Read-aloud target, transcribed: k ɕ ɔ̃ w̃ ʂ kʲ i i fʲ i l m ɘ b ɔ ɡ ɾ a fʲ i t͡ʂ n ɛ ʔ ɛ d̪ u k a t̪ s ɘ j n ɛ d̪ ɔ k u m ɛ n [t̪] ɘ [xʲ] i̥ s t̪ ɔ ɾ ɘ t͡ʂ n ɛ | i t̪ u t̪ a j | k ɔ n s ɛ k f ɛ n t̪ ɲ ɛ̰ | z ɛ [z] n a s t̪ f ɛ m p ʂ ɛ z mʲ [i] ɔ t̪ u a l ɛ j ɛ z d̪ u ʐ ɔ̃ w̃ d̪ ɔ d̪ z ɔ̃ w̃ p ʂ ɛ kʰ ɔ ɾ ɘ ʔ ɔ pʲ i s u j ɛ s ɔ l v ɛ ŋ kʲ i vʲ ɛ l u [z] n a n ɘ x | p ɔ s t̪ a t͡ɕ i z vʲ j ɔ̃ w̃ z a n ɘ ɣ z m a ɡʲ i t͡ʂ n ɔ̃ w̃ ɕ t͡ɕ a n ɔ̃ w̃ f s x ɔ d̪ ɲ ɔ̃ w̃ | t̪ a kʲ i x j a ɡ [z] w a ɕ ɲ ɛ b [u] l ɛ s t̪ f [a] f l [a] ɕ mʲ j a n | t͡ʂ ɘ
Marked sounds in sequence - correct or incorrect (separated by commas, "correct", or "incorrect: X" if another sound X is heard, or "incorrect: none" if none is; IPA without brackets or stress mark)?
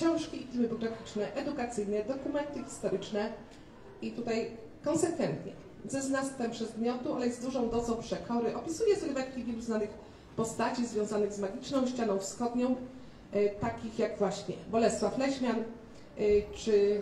correct, correct, correct, incorrect: j, correct, incorrect: v, incorrect: ɔ, correct, incorrect: ɛ